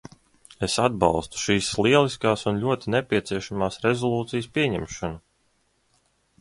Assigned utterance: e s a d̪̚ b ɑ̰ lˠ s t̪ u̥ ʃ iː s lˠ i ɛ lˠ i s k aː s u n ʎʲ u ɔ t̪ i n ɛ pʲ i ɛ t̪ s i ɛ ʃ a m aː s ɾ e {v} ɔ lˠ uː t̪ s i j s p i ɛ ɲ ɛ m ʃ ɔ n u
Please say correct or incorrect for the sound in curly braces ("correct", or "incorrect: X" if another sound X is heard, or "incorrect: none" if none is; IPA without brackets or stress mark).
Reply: incorrect: z